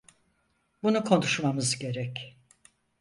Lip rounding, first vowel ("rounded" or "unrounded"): rounded